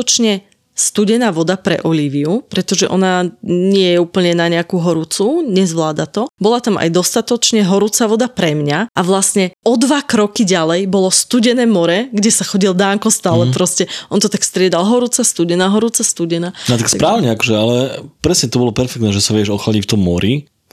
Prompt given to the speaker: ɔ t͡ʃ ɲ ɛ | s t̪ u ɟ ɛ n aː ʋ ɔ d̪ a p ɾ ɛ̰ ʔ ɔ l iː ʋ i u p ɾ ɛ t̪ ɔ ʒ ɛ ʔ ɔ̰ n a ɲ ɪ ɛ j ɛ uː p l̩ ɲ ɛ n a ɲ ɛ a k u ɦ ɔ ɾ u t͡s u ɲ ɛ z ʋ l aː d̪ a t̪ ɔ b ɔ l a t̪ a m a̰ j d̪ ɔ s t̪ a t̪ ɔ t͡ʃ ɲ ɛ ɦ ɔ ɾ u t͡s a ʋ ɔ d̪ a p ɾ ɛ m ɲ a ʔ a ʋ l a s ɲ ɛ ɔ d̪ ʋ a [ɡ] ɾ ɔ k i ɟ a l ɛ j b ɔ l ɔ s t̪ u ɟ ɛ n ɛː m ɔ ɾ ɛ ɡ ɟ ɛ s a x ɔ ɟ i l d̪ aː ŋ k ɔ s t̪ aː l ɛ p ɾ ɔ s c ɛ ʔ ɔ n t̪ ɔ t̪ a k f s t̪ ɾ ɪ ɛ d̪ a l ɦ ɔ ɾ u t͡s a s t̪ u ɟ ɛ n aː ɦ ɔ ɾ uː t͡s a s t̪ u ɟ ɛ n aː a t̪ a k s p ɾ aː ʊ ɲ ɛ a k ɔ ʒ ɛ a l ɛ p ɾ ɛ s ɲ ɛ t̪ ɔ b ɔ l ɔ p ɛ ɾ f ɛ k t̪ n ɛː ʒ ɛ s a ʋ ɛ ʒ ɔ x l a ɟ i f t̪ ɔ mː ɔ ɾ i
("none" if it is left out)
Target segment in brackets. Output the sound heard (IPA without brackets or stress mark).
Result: k